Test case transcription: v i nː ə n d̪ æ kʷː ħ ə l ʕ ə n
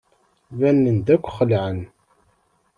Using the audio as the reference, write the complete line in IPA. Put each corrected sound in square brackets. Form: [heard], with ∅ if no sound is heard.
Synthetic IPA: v [æ] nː ə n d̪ æ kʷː [χ] ə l ʕ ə n